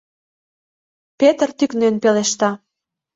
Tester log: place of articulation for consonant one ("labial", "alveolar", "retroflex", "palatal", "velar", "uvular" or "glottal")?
labial